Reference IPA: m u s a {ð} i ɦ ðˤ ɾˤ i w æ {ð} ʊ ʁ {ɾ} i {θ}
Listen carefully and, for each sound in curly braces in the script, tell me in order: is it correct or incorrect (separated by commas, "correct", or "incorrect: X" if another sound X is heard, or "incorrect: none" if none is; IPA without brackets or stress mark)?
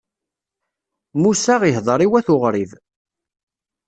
incorrect: ʁ, incorrect: θ, correct, incorrect: ð